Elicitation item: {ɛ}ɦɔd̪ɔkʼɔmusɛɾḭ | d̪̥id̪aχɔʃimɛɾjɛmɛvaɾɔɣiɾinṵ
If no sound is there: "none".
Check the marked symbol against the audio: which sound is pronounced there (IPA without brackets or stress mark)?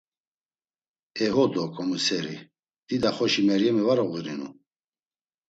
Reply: ɛ